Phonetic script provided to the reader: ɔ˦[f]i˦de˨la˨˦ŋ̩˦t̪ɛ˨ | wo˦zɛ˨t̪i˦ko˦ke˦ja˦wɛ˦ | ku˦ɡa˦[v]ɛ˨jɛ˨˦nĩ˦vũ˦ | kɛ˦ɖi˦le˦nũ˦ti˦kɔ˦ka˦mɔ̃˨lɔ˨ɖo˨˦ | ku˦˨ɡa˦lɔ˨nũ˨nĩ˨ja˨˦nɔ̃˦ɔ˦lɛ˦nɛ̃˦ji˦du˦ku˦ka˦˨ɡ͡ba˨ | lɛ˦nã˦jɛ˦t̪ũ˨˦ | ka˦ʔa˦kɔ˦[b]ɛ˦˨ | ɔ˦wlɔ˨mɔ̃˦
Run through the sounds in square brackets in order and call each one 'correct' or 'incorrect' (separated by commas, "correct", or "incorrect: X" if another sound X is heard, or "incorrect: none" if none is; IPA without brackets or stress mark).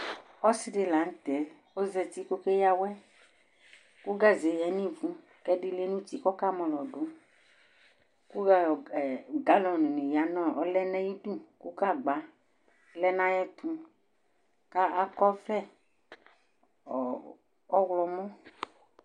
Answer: incorrect: s, incorrect: z, incorrect: v